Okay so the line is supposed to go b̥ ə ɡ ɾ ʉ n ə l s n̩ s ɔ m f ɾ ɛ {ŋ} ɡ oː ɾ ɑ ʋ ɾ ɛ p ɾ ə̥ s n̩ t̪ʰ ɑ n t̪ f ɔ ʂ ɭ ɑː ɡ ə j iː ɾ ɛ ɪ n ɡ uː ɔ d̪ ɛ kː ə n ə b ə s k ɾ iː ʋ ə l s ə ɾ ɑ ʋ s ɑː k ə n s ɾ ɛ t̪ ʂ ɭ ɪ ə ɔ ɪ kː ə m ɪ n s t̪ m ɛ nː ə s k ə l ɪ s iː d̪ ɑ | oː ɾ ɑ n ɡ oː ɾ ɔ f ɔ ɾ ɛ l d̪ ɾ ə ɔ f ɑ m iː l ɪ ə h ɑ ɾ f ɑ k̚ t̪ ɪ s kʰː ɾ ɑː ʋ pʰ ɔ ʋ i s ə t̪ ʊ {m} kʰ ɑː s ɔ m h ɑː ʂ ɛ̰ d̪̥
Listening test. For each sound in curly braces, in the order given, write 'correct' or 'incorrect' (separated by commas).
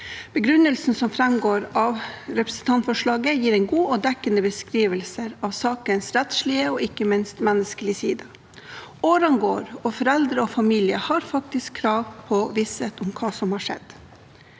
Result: incorrect, correct